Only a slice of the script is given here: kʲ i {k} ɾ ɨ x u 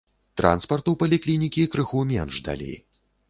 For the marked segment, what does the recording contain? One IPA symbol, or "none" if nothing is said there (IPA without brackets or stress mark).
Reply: k